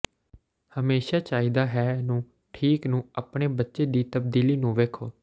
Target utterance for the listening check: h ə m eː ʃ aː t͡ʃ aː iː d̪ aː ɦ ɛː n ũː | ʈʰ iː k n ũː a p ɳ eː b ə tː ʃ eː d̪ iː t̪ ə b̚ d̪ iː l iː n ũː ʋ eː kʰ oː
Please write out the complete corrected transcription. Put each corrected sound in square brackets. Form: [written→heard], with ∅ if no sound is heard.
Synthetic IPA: h ə m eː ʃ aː t͡ʃ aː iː d̪ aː ɦ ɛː n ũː | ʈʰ iː k n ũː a p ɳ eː b ə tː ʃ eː d̪ iː t̪ ə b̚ d̪ iː l iː n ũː ʋ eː kʰ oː